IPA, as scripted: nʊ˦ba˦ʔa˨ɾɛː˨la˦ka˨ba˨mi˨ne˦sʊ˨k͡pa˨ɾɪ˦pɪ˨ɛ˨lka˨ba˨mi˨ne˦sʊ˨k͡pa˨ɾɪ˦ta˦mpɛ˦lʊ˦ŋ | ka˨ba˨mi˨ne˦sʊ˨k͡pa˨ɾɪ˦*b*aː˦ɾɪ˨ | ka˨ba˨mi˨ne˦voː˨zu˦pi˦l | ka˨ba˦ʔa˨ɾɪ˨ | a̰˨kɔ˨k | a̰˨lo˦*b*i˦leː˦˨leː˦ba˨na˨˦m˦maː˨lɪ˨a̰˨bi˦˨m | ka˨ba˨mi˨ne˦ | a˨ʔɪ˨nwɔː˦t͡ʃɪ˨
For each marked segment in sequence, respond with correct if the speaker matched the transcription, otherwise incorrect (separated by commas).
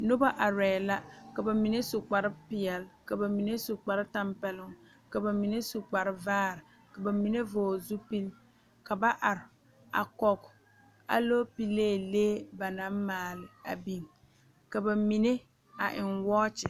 incorrect, incorrect